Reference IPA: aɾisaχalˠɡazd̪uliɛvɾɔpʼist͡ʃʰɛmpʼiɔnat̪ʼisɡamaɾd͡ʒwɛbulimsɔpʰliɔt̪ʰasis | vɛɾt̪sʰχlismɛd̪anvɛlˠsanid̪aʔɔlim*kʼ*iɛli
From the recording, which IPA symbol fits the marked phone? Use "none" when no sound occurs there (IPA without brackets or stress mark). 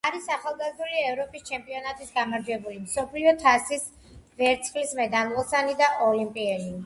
pʼ